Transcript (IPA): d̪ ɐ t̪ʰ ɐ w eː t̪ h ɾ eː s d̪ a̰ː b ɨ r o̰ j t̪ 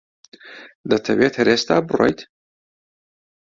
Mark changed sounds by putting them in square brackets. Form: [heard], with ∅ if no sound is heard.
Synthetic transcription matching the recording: d̪ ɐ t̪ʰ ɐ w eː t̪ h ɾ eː s [t̪] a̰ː b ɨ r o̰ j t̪